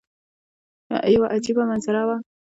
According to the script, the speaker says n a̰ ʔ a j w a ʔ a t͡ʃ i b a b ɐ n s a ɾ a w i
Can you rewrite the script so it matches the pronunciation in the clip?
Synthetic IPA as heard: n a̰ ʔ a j w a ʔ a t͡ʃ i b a m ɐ n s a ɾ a w a